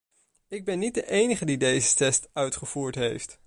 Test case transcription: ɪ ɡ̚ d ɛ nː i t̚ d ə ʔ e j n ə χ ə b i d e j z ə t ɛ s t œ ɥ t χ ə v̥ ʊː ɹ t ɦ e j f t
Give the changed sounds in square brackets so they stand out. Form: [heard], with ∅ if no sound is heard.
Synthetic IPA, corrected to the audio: ɪ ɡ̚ [b] ɛ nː i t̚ d ə ʔ e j n ə χ ə [d] i d e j z ə t ɛ s t œ ɥ t χ ə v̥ [uː] ɹ t ɦ e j f t

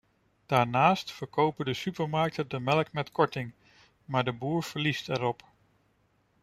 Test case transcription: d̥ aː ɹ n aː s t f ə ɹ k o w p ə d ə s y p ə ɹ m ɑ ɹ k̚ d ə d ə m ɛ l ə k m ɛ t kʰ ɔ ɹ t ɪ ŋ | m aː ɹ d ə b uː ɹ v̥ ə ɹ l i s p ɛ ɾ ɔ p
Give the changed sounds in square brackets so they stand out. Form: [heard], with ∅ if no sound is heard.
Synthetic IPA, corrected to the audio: d̥ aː ɹ n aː s t f ə ɹ k o w p ə d ə s y p ə ɹ m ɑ ɹ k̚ [t] ə d ə m ɛ l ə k m ɛ t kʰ ɔ ɹ t ɪ ŋ | m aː ɹ d ə b uː ɹ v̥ ə ɹ l i s [t] ɛ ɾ ɔ p

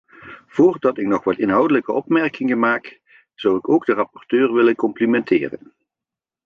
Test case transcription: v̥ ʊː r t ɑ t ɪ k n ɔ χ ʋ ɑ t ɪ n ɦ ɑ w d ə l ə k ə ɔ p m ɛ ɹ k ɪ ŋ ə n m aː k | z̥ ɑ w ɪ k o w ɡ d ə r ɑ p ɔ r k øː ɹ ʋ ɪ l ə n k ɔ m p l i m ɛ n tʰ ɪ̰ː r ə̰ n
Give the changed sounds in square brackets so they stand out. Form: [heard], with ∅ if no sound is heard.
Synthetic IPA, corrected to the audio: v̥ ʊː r [d] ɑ t ɪ k n ɔ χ ʋ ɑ t ɪ n ɦ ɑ w d ə l ə k ə ɔ p m ɛ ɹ k ɪ ŋ ə n m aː k | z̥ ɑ w ɪ k o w ɡ d ə r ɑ p ɔ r [t] øː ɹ ʋ ɪ l ə n k ɔ m p l i m ɛ n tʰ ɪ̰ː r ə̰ n

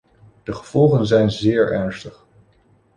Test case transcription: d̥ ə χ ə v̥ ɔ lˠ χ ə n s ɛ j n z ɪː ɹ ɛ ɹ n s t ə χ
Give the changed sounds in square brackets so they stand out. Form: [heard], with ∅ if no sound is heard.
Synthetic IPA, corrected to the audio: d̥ ə χ ə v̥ ɔ lˠ χ ə n [z] ɛ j n z ɪː ɹ ɛ ɹ n s t ə χ

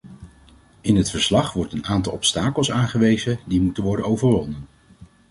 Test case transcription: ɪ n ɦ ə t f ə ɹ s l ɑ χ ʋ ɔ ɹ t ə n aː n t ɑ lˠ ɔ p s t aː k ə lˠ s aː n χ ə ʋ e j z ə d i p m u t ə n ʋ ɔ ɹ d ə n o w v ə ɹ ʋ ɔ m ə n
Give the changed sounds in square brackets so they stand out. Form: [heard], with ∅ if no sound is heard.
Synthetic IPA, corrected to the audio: ɪ n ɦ ə t f ə ɹ s l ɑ χ ʋ ɔ ɹ t ə n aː n t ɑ lˠ ɔ p s t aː k ə lˠ s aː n χ ə ʋ e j z ə d i [∅] m u t ə n ʋ ɔ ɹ d ə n o w v ə ɹ ʋ ɔ [n] ə n

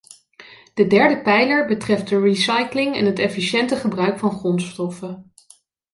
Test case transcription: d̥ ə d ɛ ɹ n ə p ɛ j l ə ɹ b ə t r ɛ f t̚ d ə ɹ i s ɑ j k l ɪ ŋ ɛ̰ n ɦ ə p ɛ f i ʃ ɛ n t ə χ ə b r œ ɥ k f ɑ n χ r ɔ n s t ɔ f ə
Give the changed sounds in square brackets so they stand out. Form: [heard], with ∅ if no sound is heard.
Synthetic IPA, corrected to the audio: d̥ ə d ɛ ɹ [d] ə p ɛ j l ə ɹ b ə t r ɛ f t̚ d ə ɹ i s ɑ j k l ɪ ŋ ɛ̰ n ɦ ə [t] ɛ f i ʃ ɛ n t ə χ ə b r œ ɥ k f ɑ n χ r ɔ n s t ɔ f ə

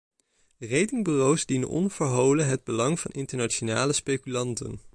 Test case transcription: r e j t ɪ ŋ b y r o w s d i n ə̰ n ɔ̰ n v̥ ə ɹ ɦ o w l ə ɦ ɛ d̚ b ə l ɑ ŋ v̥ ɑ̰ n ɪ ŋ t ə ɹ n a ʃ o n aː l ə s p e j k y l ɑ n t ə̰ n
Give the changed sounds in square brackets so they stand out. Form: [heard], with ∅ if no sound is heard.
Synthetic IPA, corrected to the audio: r e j t ɪ ŋ b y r o w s d i n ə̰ n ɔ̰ n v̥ ə ɹ ɦ o w l ə ɦ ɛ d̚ b ə l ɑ ŋ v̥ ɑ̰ n ɪ [n] t ə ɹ n a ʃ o n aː l ə s p e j k y l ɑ n t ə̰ n

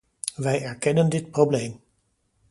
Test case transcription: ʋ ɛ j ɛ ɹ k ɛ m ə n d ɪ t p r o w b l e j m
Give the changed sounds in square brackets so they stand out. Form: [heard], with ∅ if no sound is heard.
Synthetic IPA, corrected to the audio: ʋ ɛ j ɛ ɹ k ɛ [n] ə n d ɪ t p r o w b l e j m

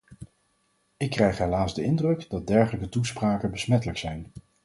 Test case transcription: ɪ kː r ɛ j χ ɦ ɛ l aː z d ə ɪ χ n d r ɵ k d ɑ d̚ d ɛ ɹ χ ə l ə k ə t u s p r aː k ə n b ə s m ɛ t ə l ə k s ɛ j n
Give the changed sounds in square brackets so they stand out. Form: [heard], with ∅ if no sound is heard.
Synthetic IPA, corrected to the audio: ɪ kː r ɛ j χ ɦ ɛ l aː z d ə ɪ [∅] n d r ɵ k d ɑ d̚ d ɛ ɹ χ ə l ə k ə t u s p r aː k ə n b ə s m ɛ t ə l ə k s ɛ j n

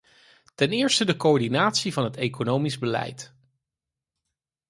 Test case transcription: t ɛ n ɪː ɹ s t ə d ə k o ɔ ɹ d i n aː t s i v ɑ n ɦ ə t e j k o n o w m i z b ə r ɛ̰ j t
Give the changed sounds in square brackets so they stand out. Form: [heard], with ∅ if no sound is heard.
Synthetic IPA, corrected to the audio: t ɛ n ɪː ɹ s t ə d ə k o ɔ ɹ d i n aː t s i v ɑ n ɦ ə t e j k o n o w m i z b ə [l] ɛ̰ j t

